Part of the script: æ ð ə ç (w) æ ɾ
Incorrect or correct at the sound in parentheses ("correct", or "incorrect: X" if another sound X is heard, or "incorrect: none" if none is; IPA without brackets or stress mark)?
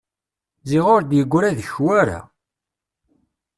correct